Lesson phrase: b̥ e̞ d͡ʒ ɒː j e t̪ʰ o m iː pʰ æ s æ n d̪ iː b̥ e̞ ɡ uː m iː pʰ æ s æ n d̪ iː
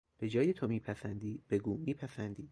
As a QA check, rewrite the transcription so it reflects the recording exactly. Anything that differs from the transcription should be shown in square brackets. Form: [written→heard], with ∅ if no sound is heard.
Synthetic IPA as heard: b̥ e̞ d͡ʒ ɒː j e t̪ʰ o m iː pʰ æ s æ n d̪ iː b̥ e̞ ɡ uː m iː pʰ æ s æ n d̪ iː